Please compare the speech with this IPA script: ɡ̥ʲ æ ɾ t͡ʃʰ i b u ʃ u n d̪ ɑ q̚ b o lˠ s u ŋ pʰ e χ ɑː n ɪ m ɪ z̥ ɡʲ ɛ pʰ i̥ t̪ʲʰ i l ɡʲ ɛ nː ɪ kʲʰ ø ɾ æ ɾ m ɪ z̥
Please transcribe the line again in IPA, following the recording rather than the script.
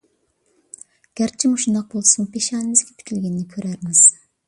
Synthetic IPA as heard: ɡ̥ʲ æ ɾ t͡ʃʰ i m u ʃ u n d̪ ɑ q̚ b o lˠ s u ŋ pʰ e ʃ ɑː n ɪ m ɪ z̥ ɡʲ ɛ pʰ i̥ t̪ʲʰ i l ɡʲ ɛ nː ɪ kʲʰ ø ɾ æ ɾ m ɪ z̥